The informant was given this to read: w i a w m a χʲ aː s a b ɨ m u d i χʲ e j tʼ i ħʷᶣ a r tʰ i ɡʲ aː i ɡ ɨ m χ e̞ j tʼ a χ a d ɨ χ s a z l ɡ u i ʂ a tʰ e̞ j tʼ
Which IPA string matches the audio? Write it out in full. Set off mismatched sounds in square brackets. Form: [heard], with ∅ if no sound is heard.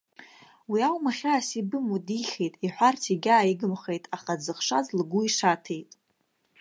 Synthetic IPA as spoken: w i a w m a χʲ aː s [i] b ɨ m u d i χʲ e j tʼ i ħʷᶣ a r tʰ i ɡʲ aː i ɡ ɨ m χ e̞ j tʼ a χ a [d͡z] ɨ χ [ʂ] a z l ɡ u i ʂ a tʰ e̞ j tʼ

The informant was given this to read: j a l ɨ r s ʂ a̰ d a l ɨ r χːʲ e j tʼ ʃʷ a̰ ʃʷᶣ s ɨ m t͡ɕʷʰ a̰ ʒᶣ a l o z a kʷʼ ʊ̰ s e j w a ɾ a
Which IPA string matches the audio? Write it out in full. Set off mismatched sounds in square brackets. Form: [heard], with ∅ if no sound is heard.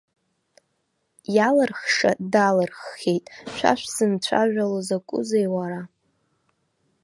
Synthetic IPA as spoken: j a l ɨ r [χ] ʂ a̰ d a l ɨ r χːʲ e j tʼ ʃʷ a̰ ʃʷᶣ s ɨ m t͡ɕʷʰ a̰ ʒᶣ a l o z a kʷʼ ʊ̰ [z] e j w a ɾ a

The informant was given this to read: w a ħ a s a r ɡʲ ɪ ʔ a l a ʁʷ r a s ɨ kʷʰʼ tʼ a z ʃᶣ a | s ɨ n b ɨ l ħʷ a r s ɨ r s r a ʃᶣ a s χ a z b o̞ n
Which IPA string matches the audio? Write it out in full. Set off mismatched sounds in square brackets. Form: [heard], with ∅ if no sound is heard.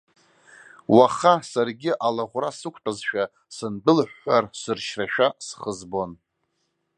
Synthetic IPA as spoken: w a [χ] a s a r ɡʲ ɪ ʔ a l a ʁʷ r a s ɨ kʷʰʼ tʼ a z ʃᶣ a | s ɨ n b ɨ l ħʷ a r s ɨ r [ʃ] r a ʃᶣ a s χ [ə] z b o̞ n

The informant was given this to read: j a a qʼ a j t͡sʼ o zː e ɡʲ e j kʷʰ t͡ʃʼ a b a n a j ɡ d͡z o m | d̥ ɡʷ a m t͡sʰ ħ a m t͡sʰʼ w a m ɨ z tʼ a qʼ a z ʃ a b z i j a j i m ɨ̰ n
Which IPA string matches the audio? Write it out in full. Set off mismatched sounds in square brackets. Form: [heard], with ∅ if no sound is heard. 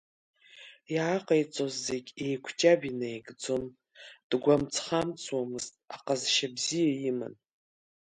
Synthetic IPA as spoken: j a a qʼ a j t͡sʼ o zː e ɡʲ e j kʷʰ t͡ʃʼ a b [i] n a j ɡ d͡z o m | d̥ ɡʷ a m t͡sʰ [χ] a m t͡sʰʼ w a m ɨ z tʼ a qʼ a z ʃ a b z i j a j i m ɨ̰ n

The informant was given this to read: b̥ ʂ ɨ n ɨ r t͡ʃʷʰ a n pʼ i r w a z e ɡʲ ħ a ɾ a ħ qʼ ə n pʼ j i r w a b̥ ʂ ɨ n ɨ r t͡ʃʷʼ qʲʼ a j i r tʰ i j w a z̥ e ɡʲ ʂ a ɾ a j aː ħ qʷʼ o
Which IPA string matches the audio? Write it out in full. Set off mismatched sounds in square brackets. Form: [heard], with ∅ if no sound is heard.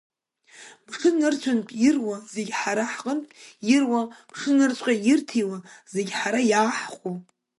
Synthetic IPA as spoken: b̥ ʂ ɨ n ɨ r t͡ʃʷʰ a n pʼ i r w a z e ɡʲ ħ a ɾ a ħ qʼ ə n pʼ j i r w a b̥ ʂ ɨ n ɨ r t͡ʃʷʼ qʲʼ a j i r tʰ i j w a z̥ e ɡʲ [ħ] a ɾ a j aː ħ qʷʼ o

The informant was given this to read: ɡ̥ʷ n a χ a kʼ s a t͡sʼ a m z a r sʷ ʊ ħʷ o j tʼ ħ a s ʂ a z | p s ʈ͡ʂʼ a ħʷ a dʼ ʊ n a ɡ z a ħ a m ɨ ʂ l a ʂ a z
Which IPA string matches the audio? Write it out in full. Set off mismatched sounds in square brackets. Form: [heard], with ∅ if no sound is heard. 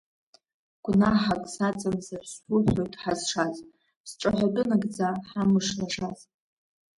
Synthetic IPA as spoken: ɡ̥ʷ n a [ħ] a kʼ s a t͡sʼ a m z a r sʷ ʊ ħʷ o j tʼ ħ a [z] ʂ a z | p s ʈ͡ʂʼ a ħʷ a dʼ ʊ n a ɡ [d͡z] a ħ a m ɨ ʂ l a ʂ a z

